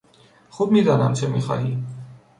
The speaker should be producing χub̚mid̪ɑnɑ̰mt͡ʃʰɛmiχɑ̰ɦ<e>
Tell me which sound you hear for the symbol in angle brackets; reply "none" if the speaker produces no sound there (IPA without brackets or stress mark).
i